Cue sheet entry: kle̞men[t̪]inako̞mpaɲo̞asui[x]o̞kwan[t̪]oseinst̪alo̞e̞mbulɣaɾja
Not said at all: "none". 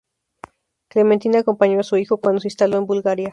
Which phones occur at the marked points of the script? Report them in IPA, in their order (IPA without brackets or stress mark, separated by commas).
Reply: t̪, x, d̪